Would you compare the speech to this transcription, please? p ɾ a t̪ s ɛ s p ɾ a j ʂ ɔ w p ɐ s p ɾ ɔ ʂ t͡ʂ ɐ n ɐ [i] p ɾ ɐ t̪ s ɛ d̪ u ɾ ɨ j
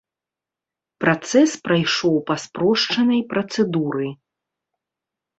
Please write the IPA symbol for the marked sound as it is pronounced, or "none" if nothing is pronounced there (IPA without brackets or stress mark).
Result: j